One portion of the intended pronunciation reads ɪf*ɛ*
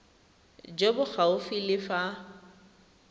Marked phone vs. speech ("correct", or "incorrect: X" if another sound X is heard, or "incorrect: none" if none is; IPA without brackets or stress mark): incorrect: a